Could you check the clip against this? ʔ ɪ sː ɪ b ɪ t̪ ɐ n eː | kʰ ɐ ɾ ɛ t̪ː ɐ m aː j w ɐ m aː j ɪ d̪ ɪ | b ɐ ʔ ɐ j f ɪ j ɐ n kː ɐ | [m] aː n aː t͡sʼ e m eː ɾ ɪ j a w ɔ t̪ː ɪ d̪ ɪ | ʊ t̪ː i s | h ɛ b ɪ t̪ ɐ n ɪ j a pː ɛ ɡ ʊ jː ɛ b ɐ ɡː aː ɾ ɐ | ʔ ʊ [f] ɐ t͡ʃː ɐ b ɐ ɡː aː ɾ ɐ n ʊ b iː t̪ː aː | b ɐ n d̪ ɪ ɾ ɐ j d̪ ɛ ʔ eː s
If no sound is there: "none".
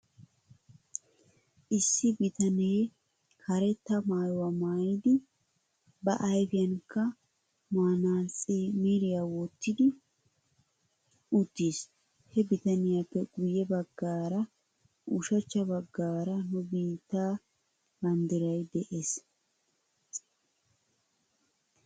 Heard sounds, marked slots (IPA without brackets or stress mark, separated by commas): m, ʃ